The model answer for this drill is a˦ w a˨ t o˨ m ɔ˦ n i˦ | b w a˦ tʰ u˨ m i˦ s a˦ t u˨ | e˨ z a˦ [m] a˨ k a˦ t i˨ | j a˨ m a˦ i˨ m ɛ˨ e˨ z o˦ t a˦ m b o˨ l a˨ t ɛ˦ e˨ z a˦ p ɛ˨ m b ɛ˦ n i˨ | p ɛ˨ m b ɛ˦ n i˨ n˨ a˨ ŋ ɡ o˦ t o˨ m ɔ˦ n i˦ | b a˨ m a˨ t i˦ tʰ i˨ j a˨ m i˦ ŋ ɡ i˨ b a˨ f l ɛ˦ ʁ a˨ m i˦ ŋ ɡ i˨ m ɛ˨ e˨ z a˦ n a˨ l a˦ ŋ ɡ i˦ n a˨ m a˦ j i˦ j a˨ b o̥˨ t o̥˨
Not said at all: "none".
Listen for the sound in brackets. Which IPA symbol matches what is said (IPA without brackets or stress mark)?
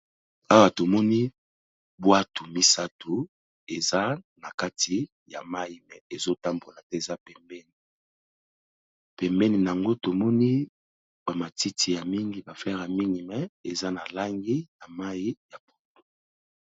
n